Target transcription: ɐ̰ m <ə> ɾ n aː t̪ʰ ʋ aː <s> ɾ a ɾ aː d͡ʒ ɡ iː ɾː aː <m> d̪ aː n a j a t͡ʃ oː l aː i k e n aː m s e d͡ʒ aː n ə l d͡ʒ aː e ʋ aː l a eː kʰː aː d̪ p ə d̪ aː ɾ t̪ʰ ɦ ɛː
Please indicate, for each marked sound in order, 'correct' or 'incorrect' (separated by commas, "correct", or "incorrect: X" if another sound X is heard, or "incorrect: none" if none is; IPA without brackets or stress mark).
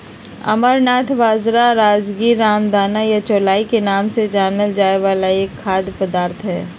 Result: correct, incorrect: z, correct